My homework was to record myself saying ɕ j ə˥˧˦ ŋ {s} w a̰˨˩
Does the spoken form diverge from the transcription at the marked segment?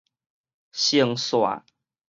no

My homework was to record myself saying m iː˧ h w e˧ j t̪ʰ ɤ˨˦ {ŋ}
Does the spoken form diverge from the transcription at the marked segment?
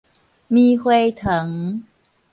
no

